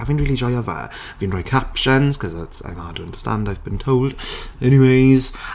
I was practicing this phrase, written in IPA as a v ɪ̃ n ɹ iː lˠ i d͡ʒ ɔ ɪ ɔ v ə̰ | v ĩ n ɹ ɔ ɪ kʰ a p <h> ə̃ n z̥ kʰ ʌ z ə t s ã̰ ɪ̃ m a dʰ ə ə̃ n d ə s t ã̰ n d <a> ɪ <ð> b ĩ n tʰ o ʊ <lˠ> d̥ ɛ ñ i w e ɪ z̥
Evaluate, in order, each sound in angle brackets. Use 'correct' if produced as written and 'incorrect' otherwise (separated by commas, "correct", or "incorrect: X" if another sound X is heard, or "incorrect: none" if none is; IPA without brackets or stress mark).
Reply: incorrect: ʃ, correct, incorrect: v, correct